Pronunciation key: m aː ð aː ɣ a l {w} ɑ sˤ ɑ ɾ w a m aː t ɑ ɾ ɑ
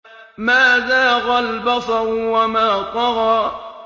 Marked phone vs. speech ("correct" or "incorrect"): incorrect